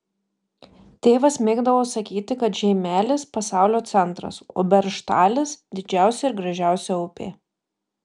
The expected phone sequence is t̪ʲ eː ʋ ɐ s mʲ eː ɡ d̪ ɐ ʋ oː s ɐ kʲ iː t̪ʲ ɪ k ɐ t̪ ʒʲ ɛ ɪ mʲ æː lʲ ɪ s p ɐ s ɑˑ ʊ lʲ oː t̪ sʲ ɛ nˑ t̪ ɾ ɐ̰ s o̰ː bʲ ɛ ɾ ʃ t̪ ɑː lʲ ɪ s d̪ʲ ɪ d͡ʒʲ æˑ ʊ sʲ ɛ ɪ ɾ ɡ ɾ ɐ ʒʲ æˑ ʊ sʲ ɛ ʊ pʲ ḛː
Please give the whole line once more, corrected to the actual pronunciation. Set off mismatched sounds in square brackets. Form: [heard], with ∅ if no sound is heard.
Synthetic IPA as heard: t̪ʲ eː ʋ ɐ s mʲ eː ɡ d̪ ɐ ʋ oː s ɐ kʲ iː t̪ʲ ɪ k ɐ t̪ ʒʲ ɛ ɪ mʲ æː lʲ ɪ s p ɐ s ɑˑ ʊ lʲ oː t̪ sʲ ɛ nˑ t̪ ɾ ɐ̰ s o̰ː bʲ ɛ ɾ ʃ t̪ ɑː lʲ ɪ s d̪ʲ ɪ d͡ʒʲ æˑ ʊ sʲ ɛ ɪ ɾ ɡ ɾ ɐ ʒʲ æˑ ʊ sʲ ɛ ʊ pʲ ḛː